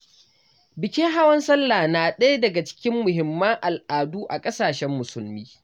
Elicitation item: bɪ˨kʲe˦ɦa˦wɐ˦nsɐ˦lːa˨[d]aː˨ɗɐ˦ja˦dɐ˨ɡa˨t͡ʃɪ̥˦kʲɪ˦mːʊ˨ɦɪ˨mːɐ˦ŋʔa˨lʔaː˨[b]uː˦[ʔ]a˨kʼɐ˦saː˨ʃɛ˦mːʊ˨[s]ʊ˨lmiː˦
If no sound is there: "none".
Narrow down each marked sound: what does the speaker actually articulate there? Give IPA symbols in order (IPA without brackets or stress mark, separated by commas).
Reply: n, d, ʔ, s